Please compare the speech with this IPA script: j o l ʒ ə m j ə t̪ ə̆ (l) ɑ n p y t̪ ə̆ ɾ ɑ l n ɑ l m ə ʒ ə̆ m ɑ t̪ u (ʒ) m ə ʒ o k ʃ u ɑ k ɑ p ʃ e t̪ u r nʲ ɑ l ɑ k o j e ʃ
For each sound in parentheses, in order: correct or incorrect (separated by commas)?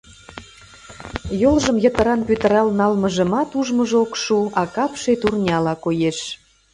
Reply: incorrect, correct